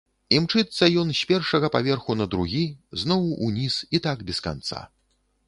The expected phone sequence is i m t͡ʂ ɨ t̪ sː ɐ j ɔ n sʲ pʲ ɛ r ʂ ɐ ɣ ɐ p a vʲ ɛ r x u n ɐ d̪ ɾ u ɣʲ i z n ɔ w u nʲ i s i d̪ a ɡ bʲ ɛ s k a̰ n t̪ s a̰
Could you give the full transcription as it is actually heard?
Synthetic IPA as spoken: i m t͡ʂ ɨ t̪ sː ɐ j ɔ n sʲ pʲ ɛ r ʂ ɐ ɣ ɐ p a vʲ ɛ r x u n ɐ d̪ ɾ u ɣʲ i z n ɔ w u nʲ i s i t̪ a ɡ bʲ ɛ s k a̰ n t̪ s a̰